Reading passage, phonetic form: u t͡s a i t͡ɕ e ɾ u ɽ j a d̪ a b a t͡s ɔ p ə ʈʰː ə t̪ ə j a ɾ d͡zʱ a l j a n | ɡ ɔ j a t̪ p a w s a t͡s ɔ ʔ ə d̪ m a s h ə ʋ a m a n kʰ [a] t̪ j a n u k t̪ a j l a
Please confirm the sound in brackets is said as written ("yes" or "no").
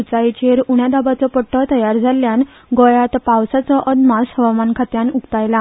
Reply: yes